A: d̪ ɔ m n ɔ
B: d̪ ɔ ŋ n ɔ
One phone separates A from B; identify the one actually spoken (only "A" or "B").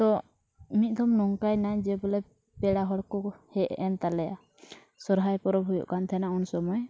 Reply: A